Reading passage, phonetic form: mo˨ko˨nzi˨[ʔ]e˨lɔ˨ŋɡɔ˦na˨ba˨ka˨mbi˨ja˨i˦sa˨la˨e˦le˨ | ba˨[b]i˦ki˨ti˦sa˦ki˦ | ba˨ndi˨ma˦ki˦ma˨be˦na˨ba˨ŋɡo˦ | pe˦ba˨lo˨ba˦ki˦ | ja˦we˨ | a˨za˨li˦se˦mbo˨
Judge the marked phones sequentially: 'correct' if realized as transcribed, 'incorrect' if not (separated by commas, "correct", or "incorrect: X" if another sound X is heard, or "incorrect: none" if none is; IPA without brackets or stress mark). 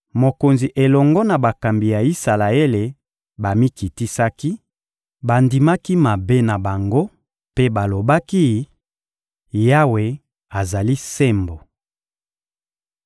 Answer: correct, incorrect: m